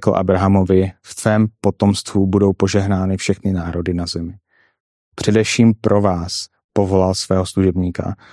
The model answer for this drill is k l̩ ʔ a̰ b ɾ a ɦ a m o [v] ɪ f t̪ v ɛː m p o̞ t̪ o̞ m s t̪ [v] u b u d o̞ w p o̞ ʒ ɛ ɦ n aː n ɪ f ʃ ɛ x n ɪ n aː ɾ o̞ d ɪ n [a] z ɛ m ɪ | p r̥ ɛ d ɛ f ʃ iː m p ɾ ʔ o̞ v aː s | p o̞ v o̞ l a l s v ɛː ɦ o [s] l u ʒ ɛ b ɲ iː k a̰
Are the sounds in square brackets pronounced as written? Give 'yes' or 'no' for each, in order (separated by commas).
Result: yes, yes, yes, yes